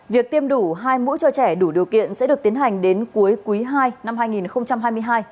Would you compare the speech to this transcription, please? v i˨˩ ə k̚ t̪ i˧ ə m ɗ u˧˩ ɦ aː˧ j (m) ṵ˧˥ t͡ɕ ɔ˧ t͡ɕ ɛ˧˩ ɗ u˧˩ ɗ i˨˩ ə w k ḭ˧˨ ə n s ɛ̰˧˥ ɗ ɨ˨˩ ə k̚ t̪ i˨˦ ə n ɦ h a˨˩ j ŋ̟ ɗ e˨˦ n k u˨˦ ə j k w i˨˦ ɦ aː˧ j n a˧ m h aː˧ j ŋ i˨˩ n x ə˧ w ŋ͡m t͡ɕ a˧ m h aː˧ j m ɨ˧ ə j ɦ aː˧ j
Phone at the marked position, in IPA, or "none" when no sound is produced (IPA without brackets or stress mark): m